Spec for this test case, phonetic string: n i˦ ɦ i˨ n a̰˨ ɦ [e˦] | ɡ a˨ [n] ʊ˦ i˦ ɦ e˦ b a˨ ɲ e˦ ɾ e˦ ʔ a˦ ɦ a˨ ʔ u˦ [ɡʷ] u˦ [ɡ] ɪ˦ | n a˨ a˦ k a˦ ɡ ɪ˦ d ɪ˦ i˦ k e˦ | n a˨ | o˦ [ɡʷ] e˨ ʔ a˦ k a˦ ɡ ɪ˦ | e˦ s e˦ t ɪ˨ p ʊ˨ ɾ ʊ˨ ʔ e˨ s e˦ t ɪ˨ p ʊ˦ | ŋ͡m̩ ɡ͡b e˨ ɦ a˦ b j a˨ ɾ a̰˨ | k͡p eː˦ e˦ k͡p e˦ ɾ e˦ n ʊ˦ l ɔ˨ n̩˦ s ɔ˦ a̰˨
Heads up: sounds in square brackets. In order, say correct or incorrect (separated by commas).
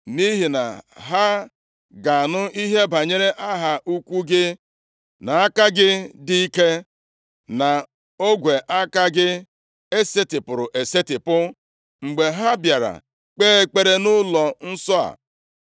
incorrect, correct, incorrect, correct, correct